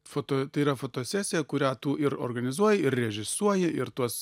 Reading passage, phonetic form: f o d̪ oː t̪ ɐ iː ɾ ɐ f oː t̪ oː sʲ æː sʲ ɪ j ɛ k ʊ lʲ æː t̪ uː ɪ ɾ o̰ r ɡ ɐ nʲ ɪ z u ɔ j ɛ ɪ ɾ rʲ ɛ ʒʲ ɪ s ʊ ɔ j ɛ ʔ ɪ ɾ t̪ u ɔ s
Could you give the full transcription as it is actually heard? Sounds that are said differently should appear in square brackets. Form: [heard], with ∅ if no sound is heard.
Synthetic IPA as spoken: f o [t̪] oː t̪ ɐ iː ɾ ɐ f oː t̪ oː sʲ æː sʲ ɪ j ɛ k ʊ [ɾʲ] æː t̪ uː ɪ ɾ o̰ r ɡ ɐ nʲ ɪ z u ɔ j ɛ ɪ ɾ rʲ ɛ ʒʲ ɪ s [u] ɔ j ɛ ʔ ɪ ɾ t̪ u ɔ s